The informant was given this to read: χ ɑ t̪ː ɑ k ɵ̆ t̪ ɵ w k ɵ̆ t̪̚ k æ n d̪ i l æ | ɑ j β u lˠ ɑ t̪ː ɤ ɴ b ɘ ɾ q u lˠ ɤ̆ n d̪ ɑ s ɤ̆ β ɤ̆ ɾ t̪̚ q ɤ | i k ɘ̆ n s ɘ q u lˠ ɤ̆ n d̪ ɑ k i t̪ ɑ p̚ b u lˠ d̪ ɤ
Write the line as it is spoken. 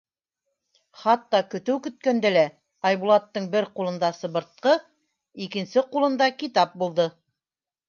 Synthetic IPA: χ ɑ t̪ː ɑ k ɵ̆ t̪ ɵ w k ɵ̆ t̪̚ k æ n d̪ æ l æ | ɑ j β u lˠ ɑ t̪ː ɤ ɴ b ɘ ɾ q u lˠ ɤ̆ n d̪ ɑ s ɤ̆ β ɤ̆ ɾ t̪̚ q ɤ | i k ɘ̆ n s ɘ q u lˠ ɤ̆ n d̪ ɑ k i t̪ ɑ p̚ b u lˠ d̪ ɤ